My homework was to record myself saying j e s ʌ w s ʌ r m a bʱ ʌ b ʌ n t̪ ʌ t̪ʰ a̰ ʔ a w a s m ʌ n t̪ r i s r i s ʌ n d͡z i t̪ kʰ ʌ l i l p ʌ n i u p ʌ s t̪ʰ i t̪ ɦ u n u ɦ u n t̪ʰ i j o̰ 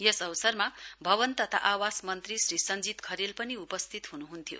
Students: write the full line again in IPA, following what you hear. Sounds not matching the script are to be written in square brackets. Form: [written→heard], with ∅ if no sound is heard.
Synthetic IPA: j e s ʌ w s ʌ r m a bʱ ʌ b ʌ n t̪ ʌ t̪ʰ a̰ ʔ a w a s m ʌ n t̪ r i s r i s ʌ n d͡z i t̪ kʰ ʌ [l→ɾ] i l p ʌ n i u p ʌ s t̪ʰ i t̪ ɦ u n u ɦ u n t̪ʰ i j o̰